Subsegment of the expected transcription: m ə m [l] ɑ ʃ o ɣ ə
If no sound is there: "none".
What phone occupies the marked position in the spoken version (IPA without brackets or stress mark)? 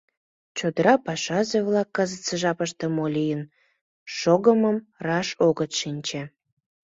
r